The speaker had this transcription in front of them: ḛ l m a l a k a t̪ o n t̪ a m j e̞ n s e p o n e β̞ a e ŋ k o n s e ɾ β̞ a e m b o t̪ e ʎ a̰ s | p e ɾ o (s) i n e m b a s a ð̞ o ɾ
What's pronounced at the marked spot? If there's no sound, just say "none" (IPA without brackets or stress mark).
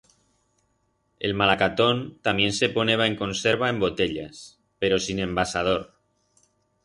s